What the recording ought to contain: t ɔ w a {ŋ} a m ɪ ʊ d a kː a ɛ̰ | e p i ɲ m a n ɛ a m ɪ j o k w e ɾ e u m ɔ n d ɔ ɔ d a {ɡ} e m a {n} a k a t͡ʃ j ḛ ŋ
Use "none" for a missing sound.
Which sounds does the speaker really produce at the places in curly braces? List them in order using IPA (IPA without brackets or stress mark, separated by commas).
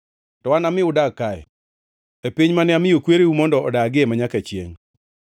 n, ɡ, ɲ